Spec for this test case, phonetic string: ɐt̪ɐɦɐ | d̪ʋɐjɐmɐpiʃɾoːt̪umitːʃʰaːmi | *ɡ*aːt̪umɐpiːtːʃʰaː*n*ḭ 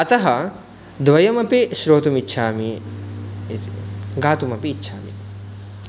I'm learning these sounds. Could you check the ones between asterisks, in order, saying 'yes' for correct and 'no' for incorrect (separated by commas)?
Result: yes, no